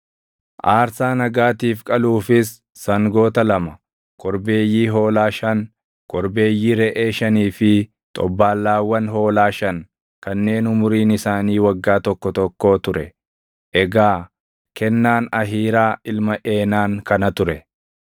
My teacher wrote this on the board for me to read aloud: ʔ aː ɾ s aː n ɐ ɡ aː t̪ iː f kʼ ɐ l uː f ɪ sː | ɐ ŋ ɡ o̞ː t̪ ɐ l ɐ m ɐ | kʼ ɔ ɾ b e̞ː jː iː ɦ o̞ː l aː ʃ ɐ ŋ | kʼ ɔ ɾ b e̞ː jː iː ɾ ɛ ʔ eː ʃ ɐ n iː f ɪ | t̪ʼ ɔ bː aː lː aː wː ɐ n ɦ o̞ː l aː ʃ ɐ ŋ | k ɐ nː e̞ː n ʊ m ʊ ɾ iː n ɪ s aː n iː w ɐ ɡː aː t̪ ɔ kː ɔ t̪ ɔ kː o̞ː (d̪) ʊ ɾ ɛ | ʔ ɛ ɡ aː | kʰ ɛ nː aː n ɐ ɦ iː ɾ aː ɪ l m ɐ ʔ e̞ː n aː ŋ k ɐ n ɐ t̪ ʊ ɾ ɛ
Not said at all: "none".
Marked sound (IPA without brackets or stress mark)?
t̪